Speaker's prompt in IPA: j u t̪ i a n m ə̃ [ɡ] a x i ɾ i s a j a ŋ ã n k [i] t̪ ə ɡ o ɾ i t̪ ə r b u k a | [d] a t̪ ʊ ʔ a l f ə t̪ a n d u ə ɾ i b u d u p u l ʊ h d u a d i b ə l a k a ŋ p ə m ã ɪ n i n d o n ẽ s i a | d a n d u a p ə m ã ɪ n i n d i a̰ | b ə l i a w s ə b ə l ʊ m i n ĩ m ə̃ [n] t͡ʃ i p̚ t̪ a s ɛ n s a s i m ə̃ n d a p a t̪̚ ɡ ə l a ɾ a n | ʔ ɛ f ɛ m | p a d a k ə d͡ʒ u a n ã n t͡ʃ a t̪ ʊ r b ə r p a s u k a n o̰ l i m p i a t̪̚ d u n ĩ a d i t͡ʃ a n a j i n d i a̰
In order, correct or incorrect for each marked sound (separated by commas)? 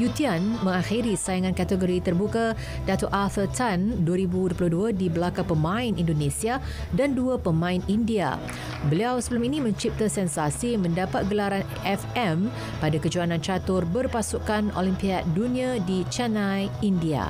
incorrect, incorrect, correct, incorrect